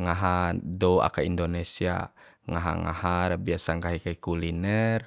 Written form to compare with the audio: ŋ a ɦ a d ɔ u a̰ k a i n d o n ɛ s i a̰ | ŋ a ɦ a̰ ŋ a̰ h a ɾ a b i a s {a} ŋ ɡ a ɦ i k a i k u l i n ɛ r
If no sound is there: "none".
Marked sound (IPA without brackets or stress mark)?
a